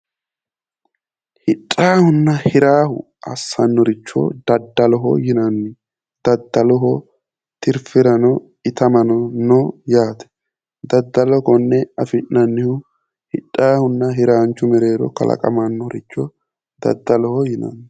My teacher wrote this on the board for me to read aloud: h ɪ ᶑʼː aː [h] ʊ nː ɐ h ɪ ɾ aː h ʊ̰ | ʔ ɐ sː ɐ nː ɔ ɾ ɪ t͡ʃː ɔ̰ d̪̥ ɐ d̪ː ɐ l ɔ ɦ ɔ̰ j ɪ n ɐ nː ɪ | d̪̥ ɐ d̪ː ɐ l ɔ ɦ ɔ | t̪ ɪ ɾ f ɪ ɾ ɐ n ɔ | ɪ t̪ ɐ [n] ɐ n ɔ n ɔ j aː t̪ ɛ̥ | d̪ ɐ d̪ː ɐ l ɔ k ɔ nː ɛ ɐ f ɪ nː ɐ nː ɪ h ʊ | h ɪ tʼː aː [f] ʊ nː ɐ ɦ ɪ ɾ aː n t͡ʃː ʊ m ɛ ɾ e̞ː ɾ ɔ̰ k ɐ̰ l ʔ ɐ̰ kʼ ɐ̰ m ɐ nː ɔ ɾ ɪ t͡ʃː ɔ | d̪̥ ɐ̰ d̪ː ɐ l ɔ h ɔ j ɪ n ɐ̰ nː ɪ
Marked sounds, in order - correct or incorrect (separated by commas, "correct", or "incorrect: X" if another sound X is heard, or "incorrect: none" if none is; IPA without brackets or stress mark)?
correct, incorrect: m, incorrect: h